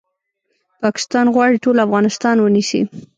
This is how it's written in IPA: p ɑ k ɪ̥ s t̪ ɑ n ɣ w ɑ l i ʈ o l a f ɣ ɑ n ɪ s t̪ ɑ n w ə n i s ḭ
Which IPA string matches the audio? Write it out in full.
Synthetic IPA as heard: p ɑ k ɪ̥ s t̪ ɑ n ɣ w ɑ ɽ i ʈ o l a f ɣ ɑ n ɪ s t̪ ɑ n w ə n i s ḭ